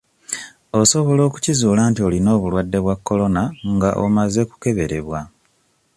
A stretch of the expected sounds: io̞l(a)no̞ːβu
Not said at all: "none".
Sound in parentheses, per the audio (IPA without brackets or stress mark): i